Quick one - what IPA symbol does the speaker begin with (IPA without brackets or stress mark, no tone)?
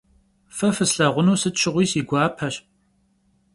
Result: f